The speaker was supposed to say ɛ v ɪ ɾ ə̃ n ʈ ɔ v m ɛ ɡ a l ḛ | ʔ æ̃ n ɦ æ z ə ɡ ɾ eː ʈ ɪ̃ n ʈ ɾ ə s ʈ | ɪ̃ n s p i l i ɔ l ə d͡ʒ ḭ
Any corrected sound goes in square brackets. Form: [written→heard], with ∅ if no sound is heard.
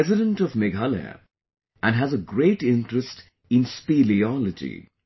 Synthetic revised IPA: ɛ [v→z] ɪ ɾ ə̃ n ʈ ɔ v m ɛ ɡ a l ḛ | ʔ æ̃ n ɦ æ z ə ɡ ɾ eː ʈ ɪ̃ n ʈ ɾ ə s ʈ | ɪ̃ n s p i l i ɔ l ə d͡ʒ ḭ